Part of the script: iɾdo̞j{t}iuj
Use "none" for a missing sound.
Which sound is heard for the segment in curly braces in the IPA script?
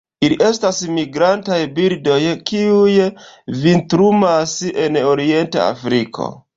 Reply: k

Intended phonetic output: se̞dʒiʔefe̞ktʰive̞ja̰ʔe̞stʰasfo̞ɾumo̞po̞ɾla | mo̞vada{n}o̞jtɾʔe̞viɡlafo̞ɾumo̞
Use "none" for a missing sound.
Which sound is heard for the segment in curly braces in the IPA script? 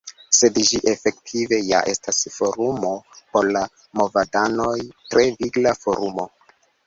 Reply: n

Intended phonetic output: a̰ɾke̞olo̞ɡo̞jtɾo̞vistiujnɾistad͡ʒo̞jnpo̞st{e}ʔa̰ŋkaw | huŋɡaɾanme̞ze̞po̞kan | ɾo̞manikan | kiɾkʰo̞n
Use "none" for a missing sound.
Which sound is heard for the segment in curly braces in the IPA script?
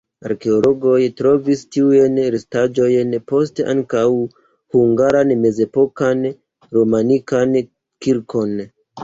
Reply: e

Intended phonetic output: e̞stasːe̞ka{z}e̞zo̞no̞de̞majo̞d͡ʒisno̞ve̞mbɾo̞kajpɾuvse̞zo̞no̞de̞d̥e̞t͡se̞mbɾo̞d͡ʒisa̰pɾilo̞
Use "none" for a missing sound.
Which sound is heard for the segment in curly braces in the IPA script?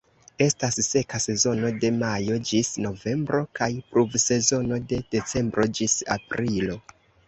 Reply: s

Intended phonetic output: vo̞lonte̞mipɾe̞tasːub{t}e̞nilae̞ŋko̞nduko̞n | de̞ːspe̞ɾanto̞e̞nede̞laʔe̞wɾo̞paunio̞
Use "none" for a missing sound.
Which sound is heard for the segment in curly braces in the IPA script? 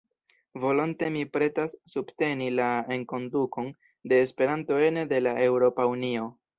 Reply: t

